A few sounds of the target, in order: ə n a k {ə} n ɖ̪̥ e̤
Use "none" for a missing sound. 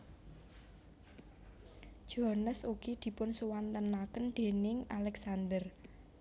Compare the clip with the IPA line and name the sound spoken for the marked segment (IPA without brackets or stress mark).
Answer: ə